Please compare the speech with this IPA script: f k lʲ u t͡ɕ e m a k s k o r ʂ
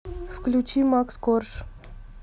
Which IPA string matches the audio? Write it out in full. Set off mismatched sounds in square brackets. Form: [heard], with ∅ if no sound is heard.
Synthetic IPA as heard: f k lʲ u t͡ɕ [i] m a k s k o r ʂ